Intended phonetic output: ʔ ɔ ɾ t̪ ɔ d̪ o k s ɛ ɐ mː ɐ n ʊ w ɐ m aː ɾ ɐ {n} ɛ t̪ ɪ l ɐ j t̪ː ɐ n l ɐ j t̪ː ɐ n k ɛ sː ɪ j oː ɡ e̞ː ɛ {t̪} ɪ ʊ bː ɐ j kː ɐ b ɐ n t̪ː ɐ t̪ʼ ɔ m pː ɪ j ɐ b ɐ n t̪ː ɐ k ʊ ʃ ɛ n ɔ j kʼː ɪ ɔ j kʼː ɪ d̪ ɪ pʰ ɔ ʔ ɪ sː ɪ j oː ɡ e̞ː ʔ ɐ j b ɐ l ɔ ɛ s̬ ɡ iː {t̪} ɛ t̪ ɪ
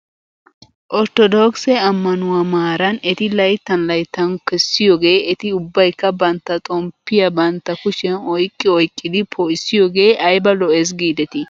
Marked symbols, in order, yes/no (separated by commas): yes, yes, no